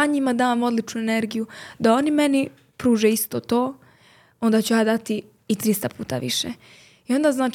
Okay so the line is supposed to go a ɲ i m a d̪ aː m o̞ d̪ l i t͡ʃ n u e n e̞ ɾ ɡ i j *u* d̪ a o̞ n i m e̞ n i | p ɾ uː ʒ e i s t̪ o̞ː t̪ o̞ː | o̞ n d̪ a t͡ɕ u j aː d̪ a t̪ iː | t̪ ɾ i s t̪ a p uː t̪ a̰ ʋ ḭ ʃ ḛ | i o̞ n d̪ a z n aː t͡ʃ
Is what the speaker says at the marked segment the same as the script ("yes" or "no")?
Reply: yes